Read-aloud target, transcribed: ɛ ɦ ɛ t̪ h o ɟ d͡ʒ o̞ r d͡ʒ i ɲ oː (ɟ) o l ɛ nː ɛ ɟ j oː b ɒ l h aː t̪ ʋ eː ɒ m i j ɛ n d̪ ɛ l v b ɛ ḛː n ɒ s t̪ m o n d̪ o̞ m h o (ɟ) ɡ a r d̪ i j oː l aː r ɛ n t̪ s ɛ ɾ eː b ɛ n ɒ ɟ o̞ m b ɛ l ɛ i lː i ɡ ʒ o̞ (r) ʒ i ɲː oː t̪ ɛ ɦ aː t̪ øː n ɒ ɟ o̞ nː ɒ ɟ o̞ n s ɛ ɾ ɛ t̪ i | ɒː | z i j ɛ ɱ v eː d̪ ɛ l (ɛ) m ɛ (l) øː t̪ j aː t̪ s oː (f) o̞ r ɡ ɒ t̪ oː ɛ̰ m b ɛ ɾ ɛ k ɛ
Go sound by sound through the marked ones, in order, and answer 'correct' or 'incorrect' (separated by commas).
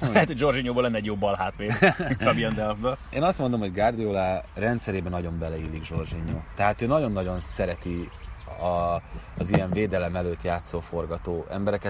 incorrect, correct, correct, correct, correct, correct